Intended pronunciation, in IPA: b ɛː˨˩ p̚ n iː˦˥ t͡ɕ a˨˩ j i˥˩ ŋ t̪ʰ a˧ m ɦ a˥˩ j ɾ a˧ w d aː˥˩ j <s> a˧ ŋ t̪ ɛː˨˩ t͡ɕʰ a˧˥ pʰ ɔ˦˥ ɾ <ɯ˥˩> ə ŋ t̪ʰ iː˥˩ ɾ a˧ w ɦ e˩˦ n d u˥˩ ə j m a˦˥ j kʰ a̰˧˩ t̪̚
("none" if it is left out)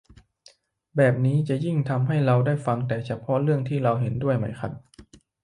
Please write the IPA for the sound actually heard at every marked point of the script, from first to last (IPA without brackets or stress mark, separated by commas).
f, ɯ˥˩